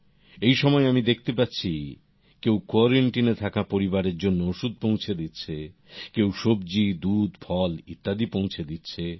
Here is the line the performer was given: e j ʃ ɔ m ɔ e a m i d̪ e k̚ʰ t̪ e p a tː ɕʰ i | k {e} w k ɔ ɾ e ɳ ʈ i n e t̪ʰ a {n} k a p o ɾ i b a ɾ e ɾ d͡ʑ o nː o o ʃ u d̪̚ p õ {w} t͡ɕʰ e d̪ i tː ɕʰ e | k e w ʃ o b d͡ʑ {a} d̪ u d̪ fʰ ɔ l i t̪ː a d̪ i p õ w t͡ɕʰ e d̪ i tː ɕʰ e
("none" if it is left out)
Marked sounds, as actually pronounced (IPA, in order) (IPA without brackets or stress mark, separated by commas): e, none, w, i